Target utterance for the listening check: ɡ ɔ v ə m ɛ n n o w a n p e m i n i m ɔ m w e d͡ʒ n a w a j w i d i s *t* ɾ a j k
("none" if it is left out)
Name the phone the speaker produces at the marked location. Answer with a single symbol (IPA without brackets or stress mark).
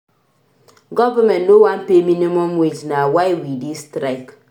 t